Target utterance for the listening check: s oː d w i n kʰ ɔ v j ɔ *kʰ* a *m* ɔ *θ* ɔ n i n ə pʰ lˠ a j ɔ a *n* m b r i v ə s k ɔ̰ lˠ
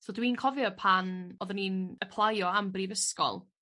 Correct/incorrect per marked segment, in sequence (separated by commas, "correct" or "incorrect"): incorrect, incorrect, incorrect, incorrect